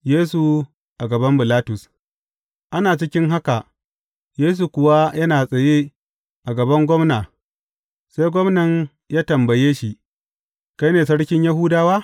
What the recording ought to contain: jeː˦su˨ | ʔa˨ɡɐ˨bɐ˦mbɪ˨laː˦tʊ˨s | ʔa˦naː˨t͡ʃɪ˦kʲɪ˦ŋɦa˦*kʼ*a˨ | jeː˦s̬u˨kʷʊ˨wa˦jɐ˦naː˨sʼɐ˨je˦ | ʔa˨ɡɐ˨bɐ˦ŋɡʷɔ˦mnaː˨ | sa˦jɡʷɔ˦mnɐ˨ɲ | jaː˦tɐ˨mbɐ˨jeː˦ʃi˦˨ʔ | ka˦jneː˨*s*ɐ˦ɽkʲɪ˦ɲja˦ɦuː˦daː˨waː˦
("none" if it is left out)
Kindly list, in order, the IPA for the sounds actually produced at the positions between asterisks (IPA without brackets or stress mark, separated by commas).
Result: k, s